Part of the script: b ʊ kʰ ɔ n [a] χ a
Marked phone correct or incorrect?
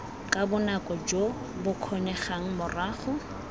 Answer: incorrect